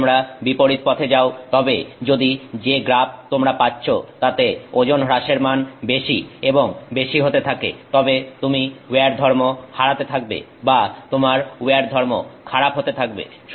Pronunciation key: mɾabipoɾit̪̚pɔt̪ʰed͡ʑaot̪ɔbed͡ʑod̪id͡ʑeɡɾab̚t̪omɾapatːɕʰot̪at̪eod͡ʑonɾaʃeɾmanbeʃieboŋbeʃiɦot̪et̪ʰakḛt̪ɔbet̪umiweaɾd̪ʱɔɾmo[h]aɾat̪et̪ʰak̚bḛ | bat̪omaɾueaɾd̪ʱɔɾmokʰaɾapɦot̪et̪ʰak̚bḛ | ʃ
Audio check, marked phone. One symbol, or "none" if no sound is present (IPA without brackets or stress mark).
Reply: h